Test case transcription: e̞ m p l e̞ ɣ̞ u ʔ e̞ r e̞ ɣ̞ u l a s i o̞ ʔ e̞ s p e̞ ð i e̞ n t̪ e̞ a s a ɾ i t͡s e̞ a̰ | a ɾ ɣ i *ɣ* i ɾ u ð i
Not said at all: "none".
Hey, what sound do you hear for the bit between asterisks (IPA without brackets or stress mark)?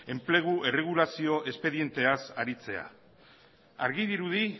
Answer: ð